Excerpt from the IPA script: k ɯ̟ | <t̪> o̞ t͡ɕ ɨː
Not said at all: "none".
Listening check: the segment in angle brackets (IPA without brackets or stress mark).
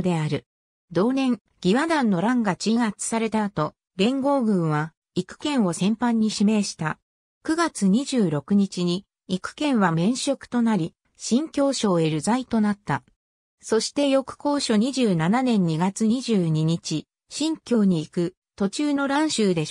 t̪